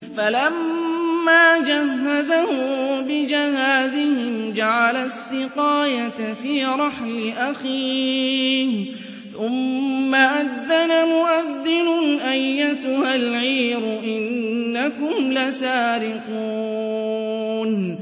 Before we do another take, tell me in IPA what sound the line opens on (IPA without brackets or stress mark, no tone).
f